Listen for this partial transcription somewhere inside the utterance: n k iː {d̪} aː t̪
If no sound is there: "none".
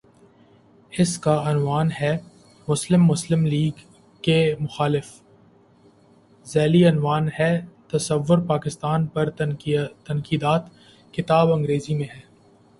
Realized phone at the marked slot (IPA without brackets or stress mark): d̪